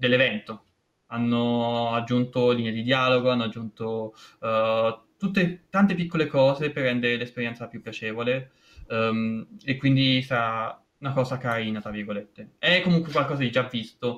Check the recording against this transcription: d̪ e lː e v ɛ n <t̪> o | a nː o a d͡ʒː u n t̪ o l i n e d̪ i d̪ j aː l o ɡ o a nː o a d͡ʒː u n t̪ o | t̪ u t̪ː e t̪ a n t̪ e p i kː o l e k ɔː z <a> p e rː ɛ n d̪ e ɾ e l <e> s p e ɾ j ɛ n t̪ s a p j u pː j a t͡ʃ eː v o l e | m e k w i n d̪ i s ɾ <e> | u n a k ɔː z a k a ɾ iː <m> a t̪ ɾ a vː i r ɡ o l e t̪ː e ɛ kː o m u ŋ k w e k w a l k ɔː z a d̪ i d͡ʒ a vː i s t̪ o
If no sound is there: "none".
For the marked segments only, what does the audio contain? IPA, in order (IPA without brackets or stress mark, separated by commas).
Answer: t̪, e, e, a, n